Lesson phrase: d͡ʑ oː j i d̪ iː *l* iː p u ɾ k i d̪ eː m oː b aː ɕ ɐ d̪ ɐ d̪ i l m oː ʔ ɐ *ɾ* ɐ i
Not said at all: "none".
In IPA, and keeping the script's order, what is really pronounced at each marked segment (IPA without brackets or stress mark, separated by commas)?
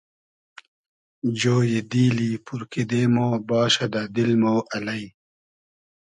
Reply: l, l